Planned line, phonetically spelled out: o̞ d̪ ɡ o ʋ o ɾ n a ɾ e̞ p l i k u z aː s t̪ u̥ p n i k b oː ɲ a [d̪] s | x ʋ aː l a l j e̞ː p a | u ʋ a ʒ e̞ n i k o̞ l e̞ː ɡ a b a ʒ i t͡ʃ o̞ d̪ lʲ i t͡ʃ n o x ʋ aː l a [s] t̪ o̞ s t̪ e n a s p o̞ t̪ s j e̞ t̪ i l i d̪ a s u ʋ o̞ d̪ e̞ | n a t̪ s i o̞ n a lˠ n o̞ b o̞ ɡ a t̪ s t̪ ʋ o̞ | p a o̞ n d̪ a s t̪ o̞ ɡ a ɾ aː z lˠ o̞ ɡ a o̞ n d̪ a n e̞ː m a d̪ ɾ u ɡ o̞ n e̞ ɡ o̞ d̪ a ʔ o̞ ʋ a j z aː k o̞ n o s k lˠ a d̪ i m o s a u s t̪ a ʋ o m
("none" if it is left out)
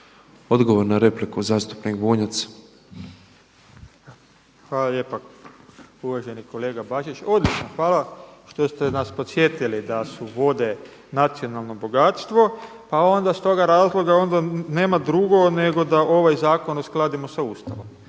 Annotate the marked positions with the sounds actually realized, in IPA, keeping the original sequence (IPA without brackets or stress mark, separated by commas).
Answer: t̪, ʃ